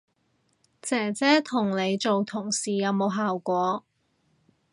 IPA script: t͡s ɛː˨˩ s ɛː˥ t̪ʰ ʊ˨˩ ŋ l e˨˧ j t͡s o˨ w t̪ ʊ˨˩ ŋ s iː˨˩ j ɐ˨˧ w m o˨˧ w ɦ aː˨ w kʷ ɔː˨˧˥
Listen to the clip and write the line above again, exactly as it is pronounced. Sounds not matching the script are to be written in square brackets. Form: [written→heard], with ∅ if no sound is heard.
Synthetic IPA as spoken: t͡s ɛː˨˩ [s→t͡s] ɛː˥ t̪ʰ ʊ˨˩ ŋ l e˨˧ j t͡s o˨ w [t̪→t̪ʰ] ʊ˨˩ ŋ s iː˨˩ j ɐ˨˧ w m o˨˧ w ɦ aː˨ w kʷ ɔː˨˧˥